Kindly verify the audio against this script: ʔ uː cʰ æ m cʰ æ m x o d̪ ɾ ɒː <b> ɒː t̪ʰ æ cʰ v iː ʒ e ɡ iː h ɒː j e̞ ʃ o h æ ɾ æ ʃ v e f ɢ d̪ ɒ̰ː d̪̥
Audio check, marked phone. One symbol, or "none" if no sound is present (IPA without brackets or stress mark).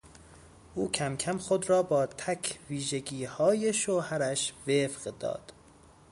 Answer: b